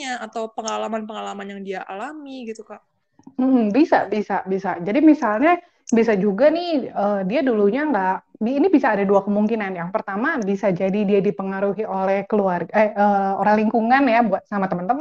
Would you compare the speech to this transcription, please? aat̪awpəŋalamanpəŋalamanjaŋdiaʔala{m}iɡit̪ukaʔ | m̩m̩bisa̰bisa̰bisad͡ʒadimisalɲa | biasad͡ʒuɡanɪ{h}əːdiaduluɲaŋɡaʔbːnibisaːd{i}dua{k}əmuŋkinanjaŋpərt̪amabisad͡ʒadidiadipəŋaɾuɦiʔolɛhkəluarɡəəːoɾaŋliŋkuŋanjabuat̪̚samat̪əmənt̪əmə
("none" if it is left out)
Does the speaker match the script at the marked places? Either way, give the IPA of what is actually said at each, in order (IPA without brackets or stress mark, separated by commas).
m, h, a, k